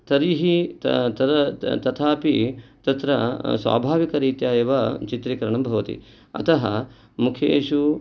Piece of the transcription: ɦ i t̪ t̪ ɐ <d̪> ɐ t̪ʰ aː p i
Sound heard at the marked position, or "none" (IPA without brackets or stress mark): t̪